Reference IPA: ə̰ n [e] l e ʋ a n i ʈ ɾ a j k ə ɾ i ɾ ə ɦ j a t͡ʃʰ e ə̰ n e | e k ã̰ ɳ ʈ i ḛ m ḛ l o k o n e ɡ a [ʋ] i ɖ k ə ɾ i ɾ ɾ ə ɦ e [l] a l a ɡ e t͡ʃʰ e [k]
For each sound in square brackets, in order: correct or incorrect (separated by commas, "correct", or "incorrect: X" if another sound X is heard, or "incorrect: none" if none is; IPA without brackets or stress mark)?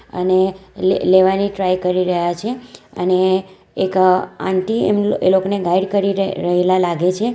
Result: correct, incorrect: none, correct, incorrect: none